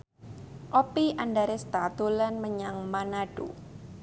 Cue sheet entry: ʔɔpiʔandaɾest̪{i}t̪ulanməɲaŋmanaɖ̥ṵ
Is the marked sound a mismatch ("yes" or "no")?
yes